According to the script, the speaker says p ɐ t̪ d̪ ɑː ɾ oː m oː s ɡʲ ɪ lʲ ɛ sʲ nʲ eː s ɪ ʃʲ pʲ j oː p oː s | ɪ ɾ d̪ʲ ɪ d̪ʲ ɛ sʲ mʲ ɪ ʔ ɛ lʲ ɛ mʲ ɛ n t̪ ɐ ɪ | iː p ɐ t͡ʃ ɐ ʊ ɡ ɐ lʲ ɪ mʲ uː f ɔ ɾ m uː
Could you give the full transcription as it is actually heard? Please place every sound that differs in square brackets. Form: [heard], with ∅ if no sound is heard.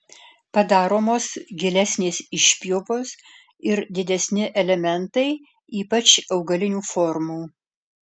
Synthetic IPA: p ɐ [∅] d̪ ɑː ɾ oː m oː s ɡʲ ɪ lʲ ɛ sʲ nʲ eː s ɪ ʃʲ pʲ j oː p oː s | ɪ ɾ d̪ʲ ɪ d̪ʲ ɛ sʲ [nʲ] ɪ ʔ ɛ lʲ ɛ mʲ ɛ n t̪ ɐ ɪ | iː p ɐ t͡ʃ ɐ ʊ ɡ ɐ lʲ ɪ [nʲ] uː f ɔ ɾ m uː